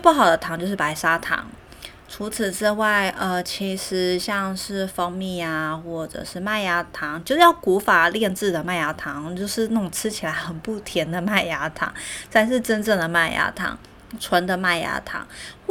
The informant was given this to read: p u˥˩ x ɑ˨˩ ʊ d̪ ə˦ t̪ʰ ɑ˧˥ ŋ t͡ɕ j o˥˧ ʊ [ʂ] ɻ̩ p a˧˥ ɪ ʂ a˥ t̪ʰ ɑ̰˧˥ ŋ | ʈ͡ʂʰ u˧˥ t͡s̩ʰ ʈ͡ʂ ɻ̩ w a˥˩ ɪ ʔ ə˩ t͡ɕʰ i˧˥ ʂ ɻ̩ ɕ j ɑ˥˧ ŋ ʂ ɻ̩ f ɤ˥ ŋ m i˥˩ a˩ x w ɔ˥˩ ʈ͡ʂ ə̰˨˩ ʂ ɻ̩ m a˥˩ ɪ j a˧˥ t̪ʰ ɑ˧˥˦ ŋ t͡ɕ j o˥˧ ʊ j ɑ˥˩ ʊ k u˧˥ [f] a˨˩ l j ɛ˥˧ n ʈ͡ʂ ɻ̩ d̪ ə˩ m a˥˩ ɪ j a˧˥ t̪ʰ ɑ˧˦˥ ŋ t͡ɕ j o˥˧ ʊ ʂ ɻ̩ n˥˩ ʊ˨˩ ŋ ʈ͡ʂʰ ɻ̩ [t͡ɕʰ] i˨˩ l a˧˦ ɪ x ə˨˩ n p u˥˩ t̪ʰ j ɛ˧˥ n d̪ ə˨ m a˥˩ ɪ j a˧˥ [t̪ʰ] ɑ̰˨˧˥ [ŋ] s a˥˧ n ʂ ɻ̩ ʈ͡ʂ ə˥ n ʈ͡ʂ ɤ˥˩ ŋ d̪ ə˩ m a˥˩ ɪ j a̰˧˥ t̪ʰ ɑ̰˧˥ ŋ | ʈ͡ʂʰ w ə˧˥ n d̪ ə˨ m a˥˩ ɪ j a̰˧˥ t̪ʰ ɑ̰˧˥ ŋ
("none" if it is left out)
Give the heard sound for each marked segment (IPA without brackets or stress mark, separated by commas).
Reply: ʂ, f, t͡ɕʰ, t̪ʰ, ŋ